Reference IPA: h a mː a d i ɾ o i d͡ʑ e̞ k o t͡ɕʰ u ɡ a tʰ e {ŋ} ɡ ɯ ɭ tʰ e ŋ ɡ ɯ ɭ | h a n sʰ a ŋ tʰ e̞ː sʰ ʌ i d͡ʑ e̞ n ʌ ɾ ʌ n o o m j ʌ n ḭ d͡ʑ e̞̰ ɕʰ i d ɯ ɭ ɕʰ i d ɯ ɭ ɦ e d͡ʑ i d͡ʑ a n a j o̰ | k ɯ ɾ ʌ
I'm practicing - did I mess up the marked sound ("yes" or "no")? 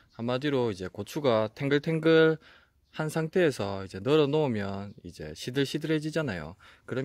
no